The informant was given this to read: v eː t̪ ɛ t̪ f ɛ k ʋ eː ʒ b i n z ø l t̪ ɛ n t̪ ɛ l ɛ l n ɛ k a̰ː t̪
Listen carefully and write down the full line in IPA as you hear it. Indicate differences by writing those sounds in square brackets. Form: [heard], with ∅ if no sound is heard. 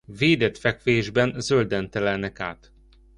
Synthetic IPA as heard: v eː [d̪] ɛ t̪ f ɛ k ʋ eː ʒ b [ɛ] n z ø l [d̪] ɛ n t̪ ɛ l ɛ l n ɛ k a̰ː t̪